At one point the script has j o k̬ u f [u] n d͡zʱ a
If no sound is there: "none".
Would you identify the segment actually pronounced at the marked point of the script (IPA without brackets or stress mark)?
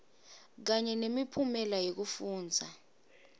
uː